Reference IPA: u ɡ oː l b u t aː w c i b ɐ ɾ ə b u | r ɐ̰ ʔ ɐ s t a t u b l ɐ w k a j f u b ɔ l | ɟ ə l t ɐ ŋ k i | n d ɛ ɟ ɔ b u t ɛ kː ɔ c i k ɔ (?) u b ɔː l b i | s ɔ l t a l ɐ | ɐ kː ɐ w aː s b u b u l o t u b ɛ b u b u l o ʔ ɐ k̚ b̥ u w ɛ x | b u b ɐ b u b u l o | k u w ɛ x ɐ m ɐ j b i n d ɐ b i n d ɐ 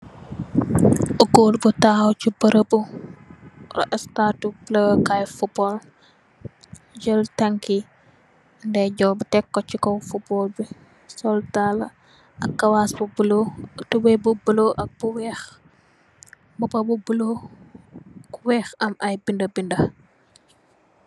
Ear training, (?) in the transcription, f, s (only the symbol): f